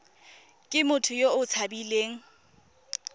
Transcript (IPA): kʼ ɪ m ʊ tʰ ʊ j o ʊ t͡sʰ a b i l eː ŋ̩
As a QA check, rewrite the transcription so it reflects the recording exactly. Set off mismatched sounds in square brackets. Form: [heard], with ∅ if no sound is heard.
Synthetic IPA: kʼ ɪ m ʊ tʰ ʊ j o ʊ t͡sʰ a b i l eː ŋ̩